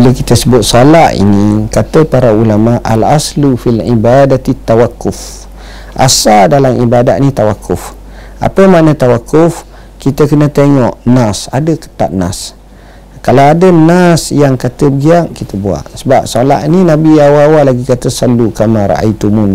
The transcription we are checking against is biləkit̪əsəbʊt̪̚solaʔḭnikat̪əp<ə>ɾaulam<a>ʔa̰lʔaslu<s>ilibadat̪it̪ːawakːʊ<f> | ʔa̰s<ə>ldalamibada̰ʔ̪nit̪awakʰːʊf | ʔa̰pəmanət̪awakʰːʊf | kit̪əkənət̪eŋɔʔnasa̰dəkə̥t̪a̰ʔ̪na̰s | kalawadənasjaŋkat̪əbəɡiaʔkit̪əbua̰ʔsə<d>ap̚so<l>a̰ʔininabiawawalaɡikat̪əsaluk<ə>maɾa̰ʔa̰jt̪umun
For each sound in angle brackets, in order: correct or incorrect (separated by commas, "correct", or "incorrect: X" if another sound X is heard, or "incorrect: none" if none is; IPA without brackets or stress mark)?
incorrect: a, correct, incorrect: f, correct, incorrect: a, incorrect: b, correct, incorrect: a